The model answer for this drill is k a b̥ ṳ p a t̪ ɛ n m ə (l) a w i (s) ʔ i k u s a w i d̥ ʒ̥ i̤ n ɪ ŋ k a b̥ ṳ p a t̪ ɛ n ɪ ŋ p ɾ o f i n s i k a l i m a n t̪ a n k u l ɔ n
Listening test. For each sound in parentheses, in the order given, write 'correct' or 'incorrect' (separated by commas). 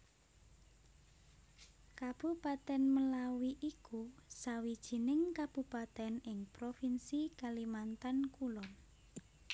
correct, incorrect